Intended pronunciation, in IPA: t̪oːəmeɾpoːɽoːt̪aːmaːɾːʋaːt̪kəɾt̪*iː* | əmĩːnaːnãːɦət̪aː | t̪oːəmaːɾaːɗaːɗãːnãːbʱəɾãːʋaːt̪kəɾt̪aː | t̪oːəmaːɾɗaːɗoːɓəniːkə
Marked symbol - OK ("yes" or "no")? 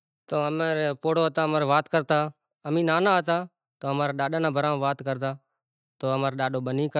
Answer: no